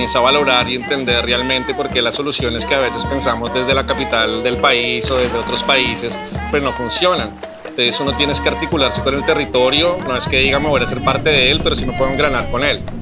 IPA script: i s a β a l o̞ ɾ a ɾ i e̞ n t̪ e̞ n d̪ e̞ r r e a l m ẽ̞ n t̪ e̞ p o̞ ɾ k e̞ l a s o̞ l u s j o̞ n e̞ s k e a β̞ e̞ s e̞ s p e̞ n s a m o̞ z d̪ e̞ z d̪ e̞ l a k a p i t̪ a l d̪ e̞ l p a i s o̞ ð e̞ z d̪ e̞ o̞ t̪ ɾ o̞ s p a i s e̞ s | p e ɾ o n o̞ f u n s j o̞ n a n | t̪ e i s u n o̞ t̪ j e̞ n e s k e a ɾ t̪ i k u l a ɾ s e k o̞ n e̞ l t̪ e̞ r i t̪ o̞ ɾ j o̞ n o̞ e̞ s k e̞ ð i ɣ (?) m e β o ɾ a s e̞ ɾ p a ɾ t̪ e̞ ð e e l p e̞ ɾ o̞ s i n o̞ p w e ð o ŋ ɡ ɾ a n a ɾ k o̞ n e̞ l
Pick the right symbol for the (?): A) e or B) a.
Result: B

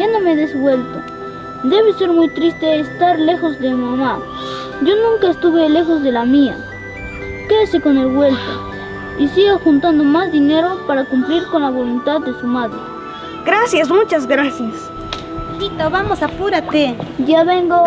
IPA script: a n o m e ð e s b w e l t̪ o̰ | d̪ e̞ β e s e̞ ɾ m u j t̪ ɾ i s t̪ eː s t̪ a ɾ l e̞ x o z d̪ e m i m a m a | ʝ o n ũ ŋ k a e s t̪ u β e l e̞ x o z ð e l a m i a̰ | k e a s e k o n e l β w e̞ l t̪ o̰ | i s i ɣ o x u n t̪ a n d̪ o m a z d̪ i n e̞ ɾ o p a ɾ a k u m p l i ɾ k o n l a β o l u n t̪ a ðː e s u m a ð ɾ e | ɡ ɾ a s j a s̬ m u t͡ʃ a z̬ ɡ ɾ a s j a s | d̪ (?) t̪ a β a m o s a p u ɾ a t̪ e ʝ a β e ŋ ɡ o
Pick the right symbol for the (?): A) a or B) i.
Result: B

